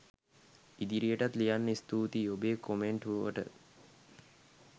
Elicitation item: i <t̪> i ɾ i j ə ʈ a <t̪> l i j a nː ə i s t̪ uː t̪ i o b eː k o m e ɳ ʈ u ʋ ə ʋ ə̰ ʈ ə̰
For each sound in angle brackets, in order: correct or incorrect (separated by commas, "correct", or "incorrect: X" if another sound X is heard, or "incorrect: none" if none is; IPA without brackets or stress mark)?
incorrect: d̪, correct